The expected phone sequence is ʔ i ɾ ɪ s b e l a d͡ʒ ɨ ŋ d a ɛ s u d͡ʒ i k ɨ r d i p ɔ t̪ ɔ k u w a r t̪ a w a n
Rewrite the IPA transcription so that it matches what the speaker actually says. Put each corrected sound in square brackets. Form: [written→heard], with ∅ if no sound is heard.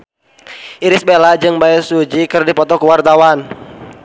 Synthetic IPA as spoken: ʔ i ɾ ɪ s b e l a d͡ʒ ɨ ŋ [d→b] a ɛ s u d͡ʒ i k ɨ r d i p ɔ t̪ ɔ k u w a r t̪ a w a n